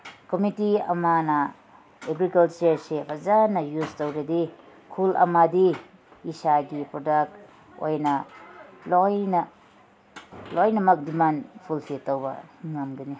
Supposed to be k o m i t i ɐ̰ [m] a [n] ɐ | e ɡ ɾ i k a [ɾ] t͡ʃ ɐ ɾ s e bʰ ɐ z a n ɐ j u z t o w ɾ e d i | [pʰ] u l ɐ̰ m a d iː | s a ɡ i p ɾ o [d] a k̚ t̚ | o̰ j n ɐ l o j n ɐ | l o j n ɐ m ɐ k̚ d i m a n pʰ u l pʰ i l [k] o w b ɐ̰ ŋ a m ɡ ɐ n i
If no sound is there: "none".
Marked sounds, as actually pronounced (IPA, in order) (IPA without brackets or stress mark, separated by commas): m, n, l, kʰ, d, t